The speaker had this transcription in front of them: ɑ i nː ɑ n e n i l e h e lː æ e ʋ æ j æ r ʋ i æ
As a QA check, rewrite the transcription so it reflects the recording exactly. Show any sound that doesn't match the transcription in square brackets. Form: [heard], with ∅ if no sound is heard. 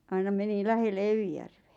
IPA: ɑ i [n] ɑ [m] e n i l [æ] h e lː [e] e ʋ [i] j æ r ʋ [e] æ